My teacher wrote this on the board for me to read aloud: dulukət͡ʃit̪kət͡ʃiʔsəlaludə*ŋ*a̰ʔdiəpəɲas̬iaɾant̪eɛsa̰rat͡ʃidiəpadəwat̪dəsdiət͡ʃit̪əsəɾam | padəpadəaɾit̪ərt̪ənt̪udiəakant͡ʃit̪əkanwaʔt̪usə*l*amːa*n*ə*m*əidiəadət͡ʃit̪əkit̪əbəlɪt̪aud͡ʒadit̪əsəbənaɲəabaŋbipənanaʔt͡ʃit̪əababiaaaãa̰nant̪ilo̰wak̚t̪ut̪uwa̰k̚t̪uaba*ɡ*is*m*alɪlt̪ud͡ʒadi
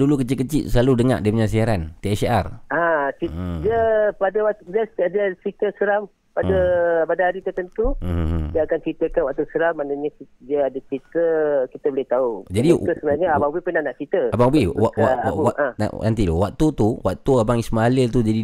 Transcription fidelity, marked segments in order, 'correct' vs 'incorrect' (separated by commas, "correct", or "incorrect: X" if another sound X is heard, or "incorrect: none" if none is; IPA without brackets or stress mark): correct, incorrect: ɾ, correct, incorrect: ɲ, incorrect: ŋ, correct